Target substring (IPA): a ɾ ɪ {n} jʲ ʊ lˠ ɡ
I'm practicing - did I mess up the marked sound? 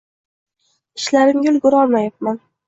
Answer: yes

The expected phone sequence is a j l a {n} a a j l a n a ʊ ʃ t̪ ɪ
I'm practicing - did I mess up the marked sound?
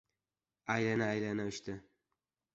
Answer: no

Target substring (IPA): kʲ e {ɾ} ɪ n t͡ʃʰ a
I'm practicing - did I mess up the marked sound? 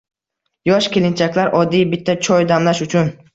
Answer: yes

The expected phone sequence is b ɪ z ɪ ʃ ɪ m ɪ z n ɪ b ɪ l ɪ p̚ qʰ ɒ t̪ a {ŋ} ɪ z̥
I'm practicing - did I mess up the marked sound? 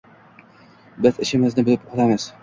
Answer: yes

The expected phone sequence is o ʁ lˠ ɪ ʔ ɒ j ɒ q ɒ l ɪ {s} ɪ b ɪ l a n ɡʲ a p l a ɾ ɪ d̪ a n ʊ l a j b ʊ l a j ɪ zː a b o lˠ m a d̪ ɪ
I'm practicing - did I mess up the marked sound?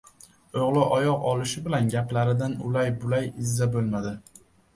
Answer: yes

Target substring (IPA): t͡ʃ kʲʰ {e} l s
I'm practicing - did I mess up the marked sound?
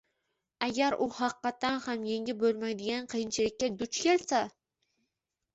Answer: no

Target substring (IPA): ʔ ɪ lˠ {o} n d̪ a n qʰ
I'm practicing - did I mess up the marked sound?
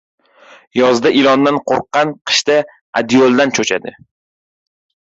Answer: yes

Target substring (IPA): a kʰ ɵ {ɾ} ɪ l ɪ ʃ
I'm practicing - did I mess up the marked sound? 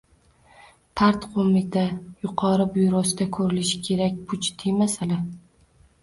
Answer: no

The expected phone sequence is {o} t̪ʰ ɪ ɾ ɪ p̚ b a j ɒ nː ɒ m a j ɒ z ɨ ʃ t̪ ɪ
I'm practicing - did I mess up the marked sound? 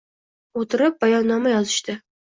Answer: no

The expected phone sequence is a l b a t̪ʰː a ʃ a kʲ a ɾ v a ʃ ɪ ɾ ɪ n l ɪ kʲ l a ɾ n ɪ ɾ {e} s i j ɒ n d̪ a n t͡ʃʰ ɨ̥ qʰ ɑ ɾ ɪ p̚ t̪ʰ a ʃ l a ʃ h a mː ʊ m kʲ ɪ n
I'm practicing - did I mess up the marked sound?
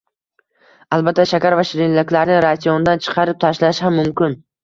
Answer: yes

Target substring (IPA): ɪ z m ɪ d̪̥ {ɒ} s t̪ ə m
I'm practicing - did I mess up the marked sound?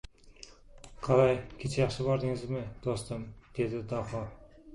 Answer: yes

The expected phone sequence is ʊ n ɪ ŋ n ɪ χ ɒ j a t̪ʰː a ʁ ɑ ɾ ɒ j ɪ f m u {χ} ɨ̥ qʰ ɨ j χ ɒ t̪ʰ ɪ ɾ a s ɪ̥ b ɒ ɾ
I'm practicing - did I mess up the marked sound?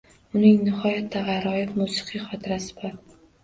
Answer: yes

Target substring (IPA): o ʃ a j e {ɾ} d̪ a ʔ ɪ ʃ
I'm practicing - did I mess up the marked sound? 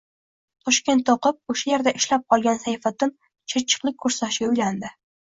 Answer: no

